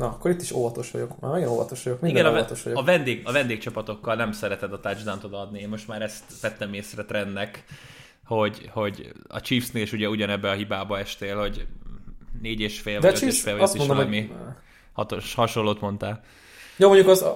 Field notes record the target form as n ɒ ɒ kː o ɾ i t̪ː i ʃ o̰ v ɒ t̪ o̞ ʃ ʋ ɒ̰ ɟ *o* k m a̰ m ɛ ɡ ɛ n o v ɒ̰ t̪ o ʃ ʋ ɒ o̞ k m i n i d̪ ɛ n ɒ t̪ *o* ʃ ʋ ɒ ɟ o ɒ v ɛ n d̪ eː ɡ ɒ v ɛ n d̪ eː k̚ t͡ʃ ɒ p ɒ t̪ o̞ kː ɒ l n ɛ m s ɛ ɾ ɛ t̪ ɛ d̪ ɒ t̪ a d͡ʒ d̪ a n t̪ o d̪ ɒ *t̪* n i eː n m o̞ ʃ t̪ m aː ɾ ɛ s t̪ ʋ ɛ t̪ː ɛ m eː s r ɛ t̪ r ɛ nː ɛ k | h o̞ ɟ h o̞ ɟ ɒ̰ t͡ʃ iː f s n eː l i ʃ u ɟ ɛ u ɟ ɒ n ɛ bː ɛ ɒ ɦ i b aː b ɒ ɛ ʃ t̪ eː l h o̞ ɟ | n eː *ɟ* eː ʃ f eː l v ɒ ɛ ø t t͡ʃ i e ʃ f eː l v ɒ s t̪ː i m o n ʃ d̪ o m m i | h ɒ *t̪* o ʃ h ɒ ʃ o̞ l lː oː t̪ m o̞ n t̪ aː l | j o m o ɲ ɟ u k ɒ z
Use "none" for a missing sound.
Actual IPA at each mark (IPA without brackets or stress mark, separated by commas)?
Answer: o, o, d̪, ɟ, t̪